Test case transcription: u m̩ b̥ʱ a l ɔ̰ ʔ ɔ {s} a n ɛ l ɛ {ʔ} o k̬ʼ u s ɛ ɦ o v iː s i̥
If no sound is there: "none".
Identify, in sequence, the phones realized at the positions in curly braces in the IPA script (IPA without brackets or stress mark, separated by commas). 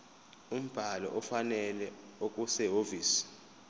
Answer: f, none